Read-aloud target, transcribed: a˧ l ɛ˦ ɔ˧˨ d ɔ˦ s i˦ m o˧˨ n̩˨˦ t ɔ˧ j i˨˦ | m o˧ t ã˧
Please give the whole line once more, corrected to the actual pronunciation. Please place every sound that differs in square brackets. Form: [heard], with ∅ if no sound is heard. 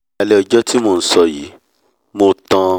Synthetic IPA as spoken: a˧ l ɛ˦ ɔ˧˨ [d͡ʒ] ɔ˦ [t] i˦ m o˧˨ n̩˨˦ [s] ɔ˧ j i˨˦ | m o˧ t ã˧